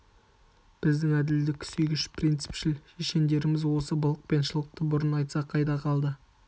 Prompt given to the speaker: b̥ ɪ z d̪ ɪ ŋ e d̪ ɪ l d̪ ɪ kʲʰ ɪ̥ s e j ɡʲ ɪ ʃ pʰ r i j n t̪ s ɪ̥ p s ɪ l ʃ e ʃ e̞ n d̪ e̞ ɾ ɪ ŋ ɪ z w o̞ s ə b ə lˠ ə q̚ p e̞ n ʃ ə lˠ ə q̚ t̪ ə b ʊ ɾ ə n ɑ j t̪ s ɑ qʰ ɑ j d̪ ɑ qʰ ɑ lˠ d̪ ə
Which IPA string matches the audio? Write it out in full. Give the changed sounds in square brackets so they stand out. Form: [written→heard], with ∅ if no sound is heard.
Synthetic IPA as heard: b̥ ɪ z d̪ ɪ ŋ [e→æ] d̪ ɪ l d̪ ɪ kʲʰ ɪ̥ s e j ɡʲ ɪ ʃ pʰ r i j n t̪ s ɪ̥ p [s→ʃ] ɪ l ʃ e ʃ e̞ n d̪ e̞ ɾ ɪ [ŋ→m] ɪ z w o̞ s ə b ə lˠ ə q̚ p e̞ n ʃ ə lˠ ə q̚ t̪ ə b ʊ ɾ ə n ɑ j t̪ s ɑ qʰ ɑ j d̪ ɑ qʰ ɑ lˠ d̪ ə